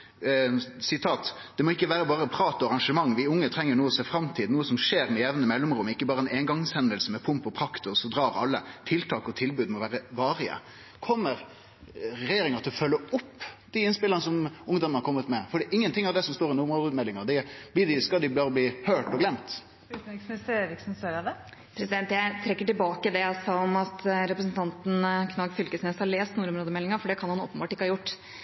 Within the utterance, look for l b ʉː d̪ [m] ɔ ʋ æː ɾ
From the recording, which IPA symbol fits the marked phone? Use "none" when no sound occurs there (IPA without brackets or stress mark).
m